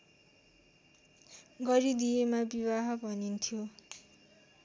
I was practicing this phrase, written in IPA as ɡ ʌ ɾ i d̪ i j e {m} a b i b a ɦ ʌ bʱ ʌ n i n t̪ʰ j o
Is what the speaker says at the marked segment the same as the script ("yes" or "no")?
yes